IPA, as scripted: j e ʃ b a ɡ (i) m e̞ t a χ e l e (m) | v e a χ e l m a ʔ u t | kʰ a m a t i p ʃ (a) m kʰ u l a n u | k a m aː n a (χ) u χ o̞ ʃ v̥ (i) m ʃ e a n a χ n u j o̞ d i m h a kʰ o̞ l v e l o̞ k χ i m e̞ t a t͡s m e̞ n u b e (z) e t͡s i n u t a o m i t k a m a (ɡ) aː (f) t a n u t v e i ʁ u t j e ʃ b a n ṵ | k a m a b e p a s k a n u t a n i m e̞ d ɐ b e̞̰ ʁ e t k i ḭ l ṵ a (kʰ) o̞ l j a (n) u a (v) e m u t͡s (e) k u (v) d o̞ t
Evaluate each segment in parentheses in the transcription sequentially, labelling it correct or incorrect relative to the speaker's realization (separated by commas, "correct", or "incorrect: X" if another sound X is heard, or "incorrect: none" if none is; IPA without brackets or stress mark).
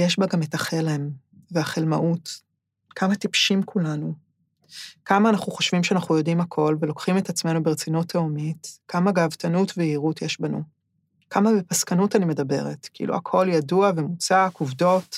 incorrect: a, correct, incorrect: i, correct, correct, incorrect: ʁ, correct, incorrect: v, correct, incorrect: d, correct, incorrect: a, correct